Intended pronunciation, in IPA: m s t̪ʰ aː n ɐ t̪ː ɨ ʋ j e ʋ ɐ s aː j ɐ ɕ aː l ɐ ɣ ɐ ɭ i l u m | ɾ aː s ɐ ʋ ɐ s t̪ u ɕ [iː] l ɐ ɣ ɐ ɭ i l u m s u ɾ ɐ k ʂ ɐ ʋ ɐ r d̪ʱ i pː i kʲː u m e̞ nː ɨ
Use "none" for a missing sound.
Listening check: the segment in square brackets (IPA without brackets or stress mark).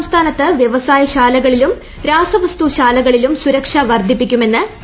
aː